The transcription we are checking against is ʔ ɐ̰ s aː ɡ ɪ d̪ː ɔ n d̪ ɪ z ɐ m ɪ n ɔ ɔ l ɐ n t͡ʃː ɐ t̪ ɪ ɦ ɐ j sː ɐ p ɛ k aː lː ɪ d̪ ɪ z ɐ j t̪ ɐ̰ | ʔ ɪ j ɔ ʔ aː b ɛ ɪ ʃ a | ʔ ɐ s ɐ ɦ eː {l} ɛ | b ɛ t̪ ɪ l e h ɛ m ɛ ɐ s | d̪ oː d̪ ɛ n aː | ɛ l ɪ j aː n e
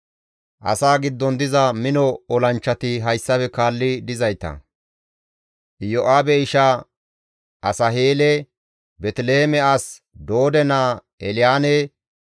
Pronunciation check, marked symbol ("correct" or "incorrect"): correct